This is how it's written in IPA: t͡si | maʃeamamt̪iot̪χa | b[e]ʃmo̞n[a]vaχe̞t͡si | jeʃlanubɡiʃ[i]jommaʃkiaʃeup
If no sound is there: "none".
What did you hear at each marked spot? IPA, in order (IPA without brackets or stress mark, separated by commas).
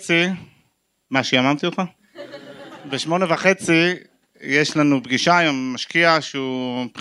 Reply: e, e, a